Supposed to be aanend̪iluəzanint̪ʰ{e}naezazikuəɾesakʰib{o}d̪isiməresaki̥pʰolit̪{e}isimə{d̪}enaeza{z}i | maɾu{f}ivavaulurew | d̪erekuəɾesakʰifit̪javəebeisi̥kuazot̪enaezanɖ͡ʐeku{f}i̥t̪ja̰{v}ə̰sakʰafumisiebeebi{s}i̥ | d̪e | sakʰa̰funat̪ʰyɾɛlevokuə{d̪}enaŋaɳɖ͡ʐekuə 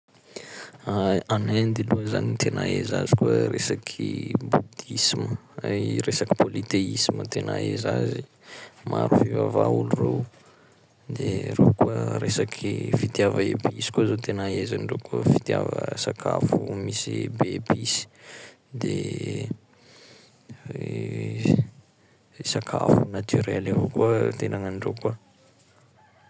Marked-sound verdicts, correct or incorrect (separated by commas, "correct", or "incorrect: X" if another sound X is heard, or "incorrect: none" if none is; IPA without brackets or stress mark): correct, incorrect: u, correct, incorrect: t̪, correct, correct, correct, correct, correct, incorrect: t̪